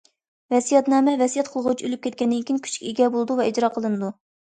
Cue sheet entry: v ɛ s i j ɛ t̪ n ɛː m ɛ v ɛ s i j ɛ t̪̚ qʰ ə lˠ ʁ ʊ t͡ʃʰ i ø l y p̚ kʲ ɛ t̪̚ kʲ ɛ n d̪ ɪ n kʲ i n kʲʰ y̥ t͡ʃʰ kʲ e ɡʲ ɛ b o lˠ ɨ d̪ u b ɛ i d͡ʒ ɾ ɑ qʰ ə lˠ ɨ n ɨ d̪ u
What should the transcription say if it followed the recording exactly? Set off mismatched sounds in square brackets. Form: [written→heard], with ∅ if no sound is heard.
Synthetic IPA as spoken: v ɛ s i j ɛ t̪ n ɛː m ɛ v ɛ s i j ɛ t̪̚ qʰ ə lˠ ʁ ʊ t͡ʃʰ i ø l y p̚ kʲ ɛ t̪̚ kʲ ɛ n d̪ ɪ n kʲ i n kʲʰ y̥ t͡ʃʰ kʲ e ɡʲ ɛ b o lˠ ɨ d̪ u [b→v] ɛ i d͡ʒ ɾ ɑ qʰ ə lˠ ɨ n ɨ d̪ u